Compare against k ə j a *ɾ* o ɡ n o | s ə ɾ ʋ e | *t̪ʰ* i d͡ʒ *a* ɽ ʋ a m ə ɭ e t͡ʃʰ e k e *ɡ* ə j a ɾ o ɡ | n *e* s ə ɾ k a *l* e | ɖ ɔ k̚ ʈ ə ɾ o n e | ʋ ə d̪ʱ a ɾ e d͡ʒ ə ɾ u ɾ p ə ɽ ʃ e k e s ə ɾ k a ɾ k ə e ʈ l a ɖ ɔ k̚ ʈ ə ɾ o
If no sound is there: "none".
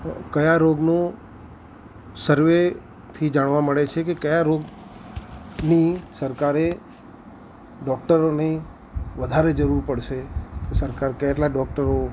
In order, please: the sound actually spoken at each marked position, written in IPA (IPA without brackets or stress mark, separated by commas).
ɾ, t̪ʰ, a, k, i, ɾ